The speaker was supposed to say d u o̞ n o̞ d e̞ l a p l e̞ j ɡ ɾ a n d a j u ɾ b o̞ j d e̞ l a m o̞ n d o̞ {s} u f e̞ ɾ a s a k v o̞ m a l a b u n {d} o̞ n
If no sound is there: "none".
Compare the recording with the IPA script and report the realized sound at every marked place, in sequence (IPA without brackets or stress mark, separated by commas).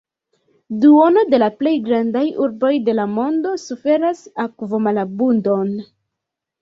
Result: s, d